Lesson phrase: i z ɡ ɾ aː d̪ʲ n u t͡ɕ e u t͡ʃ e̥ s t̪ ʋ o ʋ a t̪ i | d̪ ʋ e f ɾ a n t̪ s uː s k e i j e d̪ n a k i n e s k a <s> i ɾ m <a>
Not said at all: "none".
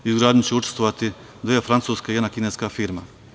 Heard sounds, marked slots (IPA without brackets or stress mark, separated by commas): f, a